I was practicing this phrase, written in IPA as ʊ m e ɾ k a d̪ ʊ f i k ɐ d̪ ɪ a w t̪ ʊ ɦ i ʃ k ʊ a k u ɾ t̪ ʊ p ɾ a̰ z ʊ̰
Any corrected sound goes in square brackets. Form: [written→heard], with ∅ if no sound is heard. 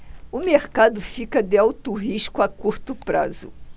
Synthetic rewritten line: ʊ m e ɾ k a d̪ ʊ f i k ɐ d̪ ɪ a w t̪ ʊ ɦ i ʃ k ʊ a k u ɾ t̪ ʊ p ɾ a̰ z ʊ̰